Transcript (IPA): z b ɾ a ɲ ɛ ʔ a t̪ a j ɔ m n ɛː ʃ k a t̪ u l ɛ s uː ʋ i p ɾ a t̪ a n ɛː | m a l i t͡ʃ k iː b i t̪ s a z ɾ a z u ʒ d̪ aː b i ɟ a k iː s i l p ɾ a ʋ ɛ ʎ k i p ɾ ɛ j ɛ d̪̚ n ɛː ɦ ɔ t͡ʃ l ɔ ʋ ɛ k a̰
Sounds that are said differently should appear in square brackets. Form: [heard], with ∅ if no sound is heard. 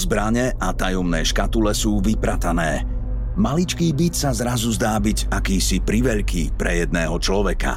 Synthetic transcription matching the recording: z b ɾ a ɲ ɛ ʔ a t̪ a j ɔ m n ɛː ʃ k a t̪ u l ɛ s uː ʋ i p ɾ a t̪ a n ɛː | m a l i t͡ʃ k iː b i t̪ s a z ɾ a z u [z] d̪ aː b i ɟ a k iː s i [∅] p ɾ [i] ʋ ɛ ʎ k i p ɾ ɛ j ɛ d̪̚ n ɛː ɦ ɔ t͡ʃ l ɔ ʋ ɛ k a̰